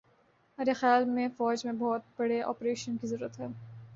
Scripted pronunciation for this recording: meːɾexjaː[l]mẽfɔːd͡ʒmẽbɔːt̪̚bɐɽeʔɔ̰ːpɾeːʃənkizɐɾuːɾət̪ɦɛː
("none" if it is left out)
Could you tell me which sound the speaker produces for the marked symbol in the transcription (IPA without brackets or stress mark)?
l